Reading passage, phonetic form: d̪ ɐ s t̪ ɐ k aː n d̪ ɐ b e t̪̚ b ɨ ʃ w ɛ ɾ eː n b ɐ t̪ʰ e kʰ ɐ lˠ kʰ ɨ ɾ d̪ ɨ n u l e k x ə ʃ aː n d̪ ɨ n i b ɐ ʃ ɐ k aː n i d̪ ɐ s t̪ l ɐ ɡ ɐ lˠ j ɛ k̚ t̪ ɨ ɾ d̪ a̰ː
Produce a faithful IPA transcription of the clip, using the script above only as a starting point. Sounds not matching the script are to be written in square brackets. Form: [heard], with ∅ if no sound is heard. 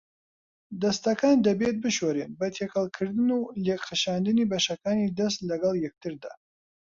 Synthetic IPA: d̪ ɐ s t̪ ɐ k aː n d̪ ɐ b e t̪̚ b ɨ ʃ w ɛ ɾ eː n b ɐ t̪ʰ e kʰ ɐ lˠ kʰ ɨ ɾ d̪ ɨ n u l e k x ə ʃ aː n d̪ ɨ n i b ɐ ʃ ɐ k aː n i d̪ ɐ s t̪ l ɐ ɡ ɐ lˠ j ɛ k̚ t̪ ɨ ɾ d̪ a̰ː